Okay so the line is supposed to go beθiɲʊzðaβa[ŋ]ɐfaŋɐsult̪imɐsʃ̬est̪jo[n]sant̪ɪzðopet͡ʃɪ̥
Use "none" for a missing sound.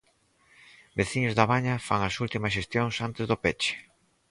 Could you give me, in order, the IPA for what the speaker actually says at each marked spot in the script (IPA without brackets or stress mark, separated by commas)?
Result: ɲ, ŋ